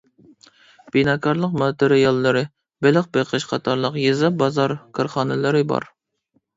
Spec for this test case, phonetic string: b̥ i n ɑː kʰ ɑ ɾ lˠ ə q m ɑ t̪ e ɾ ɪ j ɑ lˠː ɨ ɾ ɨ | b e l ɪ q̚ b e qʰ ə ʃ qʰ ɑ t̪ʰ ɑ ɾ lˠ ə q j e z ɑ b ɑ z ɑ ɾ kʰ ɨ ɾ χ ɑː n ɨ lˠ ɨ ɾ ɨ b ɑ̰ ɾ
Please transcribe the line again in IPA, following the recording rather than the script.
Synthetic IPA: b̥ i n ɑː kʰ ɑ ɾ lˠ ə q m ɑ t̪ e ɾ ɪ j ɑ lˠː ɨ ɾ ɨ | b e l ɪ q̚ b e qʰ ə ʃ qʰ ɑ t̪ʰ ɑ ɾ lˠ ə q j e z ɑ b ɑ z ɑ ɾ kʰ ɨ ɾ χ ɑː n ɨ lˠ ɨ ɾ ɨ b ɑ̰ ɾ